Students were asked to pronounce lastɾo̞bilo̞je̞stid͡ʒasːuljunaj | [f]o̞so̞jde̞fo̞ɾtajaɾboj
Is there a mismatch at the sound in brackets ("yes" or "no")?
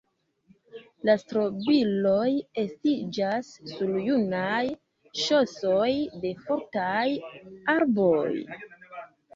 yes